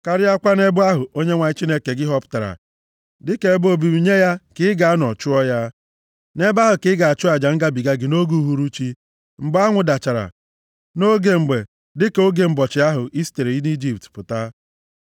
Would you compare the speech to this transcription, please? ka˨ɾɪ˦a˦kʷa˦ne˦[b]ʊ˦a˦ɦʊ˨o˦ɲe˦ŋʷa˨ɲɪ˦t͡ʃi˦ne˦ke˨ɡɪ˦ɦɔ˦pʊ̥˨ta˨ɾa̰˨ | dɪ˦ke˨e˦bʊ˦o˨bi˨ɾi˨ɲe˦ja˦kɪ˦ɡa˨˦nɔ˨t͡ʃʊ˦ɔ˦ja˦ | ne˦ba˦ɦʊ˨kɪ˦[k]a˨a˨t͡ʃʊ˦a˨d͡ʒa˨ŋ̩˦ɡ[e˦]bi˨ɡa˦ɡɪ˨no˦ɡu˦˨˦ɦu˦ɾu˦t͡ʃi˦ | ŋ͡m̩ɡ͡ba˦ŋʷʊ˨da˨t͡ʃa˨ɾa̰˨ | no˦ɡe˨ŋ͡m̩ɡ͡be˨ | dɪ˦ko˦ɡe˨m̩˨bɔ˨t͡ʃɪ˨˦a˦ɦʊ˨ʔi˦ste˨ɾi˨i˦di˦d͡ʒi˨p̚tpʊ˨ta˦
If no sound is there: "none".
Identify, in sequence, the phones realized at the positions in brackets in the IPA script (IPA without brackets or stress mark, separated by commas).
b, ɡ, a˦